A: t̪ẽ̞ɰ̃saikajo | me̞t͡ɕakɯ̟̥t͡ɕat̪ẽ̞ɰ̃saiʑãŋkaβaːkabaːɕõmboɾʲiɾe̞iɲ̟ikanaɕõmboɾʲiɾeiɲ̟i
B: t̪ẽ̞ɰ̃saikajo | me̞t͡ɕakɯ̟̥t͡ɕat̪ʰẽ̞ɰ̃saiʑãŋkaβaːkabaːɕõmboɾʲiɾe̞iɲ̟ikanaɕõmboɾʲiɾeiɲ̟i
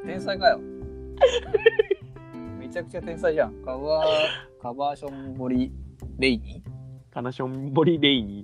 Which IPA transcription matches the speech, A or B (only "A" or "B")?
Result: A